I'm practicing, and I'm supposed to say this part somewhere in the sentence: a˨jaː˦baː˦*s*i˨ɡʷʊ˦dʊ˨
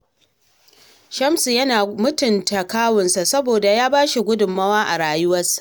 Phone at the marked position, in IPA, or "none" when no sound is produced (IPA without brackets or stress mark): ʃ